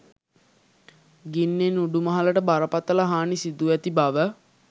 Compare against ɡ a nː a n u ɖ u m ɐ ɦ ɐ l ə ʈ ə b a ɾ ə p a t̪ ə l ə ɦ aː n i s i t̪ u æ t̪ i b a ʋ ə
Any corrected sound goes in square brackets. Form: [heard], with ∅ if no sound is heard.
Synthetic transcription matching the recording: ɡ [i] nː [e] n u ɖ u m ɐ ɦ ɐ l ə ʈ ə b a ɾ ə p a t̪ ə l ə ɦ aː n i s i [d̪] u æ t̪ i b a ʋ ə